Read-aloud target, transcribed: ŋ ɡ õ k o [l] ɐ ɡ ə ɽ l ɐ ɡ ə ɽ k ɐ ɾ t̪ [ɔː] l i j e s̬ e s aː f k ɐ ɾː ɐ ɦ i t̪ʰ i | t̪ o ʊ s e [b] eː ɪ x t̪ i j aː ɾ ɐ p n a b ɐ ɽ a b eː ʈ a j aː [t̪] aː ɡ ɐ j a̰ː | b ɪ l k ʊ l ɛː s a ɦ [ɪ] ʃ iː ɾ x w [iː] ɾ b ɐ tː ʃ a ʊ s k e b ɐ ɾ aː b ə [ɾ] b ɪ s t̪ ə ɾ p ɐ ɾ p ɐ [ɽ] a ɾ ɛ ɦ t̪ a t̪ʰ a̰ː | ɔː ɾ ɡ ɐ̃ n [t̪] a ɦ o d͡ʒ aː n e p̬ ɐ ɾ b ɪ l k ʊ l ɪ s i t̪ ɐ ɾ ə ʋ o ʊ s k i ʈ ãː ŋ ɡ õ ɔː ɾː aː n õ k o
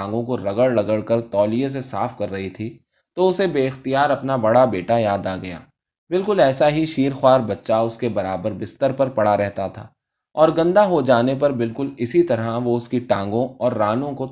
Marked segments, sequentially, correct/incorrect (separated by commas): incorrect, correct, correct, incorrect, incorrect, incorrect, correct, correct, incorrect